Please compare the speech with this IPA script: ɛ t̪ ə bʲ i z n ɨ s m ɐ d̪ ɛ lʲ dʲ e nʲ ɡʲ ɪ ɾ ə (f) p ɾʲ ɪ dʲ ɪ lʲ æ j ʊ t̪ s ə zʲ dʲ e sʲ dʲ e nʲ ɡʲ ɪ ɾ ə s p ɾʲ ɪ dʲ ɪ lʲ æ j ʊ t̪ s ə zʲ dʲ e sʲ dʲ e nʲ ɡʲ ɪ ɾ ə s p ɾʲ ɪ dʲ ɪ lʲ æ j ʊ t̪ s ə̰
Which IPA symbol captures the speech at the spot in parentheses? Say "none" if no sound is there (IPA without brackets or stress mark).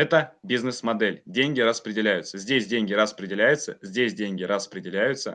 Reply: s